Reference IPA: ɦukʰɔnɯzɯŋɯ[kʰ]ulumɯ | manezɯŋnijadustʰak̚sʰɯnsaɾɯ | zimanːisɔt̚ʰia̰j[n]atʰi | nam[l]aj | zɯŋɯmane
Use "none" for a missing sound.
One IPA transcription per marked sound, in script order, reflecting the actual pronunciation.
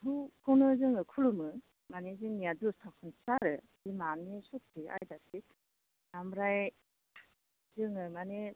kʰ, d, ɾ

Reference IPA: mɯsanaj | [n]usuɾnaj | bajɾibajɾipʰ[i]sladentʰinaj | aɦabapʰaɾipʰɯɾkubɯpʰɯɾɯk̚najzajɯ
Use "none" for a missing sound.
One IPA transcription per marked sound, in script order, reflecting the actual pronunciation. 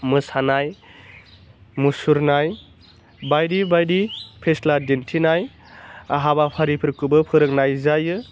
m, e

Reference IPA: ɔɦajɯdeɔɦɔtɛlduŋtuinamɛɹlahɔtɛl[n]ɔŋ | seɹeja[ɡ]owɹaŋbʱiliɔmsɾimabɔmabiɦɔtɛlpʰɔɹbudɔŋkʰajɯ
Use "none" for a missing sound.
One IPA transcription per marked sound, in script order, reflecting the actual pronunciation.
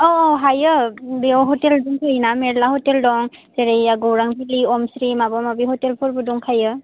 d, ɡ

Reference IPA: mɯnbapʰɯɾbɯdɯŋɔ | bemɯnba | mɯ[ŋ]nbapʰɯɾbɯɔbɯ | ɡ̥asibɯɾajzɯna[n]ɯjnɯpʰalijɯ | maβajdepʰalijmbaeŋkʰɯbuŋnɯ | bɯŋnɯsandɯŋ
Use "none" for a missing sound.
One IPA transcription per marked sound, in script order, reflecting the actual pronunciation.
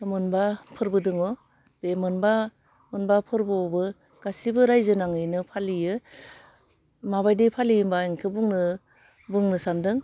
none, ŋ

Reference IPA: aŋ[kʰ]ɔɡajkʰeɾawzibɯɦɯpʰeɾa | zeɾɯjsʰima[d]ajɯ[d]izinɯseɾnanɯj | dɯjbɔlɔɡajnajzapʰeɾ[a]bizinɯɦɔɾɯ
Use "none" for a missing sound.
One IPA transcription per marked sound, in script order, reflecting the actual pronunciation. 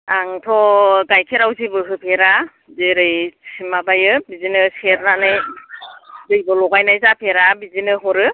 tʰ, b, b, a

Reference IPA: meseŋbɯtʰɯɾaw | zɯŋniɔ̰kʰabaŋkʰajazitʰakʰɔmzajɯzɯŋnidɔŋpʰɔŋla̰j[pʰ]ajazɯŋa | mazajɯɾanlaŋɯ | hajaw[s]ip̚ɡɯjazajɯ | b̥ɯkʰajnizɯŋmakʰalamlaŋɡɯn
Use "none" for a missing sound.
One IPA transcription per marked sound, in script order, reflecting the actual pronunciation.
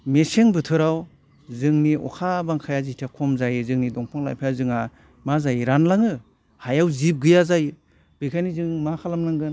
pʰ, z

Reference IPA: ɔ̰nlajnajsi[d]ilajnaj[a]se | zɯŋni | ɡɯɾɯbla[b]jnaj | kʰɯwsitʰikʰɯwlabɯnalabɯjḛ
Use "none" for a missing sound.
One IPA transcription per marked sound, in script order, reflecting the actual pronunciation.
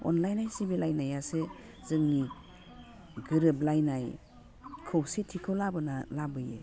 b, a, none

